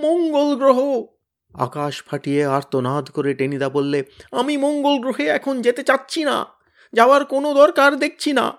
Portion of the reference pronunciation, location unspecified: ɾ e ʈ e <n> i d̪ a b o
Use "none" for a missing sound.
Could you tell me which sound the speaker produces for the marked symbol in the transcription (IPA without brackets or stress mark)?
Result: n